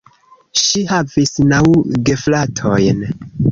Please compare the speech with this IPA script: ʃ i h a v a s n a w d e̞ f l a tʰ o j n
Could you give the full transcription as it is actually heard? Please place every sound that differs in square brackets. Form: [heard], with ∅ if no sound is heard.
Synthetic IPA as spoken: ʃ i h a v [i] s n a w [ɡ] e̞ f l a tʰ o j n